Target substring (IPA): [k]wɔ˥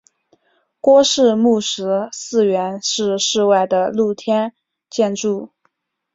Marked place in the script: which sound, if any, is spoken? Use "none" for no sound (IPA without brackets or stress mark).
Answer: k